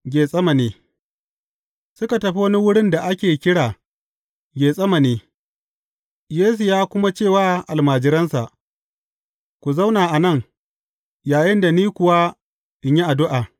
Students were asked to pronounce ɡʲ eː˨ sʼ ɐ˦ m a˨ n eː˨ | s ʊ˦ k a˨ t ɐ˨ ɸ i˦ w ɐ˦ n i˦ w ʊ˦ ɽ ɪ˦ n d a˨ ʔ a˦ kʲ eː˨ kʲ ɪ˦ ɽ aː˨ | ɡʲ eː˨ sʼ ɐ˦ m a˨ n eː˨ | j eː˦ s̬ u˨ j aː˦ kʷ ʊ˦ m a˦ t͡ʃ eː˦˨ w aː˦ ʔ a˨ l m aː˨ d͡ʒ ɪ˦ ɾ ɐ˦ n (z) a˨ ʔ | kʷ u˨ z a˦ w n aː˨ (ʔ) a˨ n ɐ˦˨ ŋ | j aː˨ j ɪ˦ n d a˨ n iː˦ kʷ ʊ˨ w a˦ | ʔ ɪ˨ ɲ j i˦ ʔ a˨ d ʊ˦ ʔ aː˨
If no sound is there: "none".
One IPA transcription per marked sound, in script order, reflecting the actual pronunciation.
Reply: s, ʔ

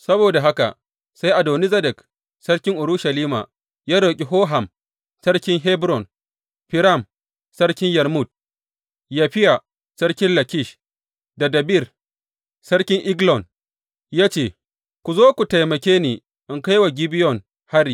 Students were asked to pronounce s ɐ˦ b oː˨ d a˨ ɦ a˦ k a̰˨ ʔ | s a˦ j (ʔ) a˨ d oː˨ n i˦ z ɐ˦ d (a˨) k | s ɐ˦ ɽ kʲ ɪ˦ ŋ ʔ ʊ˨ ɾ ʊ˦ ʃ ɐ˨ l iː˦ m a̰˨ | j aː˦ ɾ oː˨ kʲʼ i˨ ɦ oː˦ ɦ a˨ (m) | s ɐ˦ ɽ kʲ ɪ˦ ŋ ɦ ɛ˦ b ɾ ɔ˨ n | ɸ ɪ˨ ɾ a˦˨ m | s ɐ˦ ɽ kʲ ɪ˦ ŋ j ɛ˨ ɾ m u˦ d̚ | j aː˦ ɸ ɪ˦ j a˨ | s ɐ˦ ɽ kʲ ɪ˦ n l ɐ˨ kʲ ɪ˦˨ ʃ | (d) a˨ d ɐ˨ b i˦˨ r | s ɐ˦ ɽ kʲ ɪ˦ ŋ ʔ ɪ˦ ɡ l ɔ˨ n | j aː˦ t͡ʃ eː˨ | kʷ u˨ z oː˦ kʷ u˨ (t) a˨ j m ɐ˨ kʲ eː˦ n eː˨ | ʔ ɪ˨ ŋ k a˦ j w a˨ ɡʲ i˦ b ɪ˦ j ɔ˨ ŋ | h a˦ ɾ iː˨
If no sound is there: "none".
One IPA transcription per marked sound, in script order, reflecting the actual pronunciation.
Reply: ʔ, ɛ˨, m, d, t

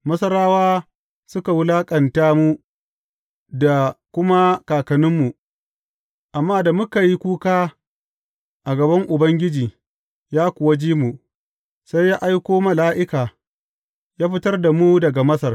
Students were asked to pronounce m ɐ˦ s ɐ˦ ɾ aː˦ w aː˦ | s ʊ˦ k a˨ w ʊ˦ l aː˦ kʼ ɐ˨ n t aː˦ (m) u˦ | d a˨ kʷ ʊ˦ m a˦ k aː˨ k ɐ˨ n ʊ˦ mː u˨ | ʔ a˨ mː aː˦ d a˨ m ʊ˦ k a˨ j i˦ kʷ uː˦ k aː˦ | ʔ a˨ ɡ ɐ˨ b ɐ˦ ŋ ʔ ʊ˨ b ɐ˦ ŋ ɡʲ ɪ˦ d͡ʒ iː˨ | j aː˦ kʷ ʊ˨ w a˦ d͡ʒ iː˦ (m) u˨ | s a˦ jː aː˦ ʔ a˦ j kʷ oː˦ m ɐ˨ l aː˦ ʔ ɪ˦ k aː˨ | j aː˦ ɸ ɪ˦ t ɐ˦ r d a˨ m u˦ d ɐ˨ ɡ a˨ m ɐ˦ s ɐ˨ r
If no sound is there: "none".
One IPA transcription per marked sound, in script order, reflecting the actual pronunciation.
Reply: m, m

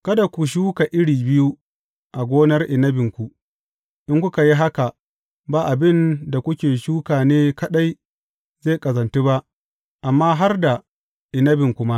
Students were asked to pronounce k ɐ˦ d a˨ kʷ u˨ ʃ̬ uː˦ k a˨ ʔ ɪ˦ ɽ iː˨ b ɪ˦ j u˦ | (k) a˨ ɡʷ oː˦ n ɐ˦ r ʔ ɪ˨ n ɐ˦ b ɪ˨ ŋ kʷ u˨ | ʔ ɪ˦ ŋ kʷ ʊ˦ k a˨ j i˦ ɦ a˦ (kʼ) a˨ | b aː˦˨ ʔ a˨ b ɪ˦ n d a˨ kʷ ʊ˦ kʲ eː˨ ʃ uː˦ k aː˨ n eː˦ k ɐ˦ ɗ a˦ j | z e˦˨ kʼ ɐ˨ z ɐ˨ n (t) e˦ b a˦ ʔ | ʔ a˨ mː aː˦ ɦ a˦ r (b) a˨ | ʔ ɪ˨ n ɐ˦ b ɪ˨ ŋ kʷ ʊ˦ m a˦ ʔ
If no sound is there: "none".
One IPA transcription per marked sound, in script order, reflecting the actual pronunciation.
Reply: ʔ, k, t, d

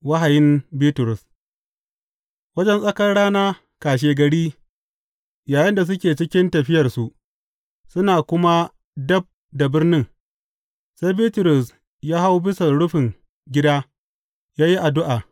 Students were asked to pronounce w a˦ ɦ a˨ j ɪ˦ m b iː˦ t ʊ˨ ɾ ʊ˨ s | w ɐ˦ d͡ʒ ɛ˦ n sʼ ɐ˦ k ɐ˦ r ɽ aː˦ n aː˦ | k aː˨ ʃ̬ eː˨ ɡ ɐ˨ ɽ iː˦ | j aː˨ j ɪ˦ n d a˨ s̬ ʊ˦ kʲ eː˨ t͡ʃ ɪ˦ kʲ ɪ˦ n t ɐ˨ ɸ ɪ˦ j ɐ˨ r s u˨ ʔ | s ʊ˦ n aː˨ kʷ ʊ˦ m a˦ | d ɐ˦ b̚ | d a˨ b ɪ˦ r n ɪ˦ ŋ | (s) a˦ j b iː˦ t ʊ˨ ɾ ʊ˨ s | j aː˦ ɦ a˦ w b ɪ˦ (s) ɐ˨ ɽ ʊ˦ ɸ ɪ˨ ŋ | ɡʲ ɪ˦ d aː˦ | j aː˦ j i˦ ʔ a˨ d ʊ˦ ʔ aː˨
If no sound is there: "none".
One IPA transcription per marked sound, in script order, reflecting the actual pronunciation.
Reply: s, s

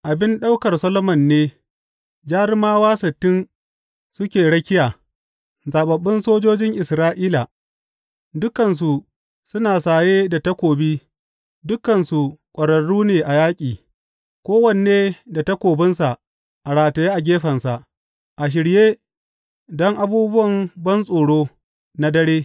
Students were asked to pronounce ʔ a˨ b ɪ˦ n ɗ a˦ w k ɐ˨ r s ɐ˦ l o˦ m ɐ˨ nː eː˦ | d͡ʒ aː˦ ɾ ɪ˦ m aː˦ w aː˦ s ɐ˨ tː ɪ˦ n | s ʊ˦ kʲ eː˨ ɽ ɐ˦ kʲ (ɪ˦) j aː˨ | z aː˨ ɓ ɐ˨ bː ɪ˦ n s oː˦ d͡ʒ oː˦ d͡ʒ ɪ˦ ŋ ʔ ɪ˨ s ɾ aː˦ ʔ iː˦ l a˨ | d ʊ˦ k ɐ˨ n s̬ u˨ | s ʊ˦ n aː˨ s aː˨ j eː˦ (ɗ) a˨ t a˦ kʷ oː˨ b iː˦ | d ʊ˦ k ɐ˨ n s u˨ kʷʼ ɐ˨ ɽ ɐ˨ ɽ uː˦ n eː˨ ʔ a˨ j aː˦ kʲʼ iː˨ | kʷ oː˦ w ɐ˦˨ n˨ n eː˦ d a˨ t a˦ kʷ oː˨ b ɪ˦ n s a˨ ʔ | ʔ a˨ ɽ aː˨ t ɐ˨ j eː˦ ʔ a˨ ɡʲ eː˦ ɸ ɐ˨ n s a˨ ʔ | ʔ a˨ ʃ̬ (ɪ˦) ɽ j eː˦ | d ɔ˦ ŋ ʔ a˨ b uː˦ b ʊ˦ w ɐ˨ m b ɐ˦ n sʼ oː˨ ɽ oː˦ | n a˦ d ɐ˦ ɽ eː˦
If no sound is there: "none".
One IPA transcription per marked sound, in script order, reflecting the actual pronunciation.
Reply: ɪ˦, d, ɪ˨

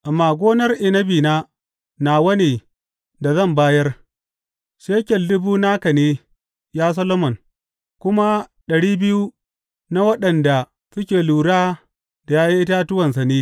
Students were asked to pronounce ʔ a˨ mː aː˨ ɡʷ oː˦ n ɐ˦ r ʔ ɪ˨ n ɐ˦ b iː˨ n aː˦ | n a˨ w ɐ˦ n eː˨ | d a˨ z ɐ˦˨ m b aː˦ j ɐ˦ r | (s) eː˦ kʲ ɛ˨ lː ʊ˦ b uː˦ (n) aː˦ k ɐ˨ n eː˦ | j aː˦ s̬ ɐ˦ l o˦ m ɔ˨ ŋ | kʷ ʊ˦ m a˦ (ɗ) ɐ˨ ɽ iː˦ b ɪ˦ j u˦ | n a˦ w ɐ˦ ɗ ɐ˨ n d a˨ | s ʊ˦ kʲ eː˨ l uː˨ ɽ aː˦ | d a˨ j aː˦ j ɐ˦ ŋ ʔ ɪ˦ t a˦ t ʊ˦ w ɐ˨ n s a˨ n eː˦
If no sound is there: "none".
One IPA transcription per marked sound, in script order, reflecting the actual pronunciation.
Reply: ʃ, n, ɗ

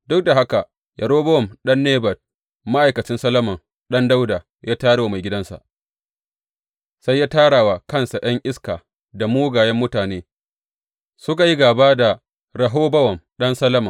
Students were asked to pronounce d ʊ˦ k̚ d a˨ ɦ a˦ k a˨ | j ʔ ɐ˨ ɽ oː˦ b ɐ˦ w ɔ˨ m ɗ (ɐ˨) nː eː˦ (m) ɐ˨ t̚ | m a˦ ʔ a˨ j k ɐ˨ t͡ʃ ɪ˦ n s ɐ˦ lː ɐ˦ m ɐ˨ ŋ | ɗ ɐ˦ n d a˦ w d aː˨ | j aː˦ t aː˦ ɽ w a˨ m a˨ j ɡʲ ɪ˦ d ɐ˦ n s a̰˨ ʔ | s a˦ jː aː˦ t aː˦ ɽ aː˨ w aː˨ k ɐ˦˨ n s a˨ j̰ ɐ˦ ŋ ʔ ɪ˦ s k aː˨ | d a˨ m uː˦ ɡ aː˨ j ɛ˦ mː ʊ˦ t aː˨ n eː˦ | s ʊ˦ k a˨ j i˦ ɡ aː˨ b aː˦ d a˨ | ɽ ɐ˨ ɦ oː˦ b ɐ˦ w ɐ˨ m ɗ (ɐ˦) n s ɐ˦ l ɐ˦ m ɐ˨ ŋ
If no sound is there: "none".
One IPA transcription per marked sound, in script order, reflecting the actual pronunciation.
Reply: ɐ˦, b, ɐ˦

